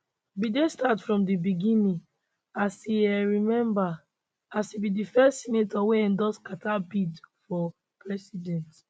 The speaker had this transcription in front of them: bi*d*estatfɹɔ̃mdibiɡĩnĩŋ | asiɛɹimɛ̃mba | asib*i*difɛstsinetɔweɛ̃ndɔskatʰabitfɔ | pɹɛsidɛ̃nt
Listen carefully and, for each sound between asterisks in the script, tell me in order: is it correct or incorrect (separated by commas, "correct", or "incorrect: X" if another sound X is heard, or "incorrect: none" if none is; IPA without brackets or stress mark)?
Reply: correct, correct